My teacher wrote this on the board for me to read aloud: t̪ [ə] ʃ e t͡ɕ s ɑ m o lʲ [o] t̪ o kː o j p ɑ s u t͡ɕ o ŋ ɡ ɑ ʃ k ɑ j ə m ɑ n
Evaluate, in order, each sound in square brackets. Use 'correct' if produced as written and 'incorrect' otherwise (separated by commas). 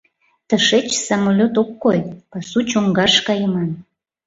correct, correct